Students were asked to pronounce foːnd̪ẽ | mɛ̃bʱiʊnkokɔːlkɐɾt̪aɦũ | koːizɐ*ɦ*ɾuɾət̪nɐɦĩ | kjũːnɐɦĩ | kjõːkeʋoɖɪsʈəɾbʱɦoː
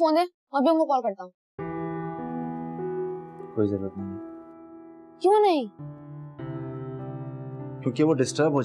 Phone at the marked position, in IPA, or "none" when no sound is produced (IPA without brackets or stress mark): none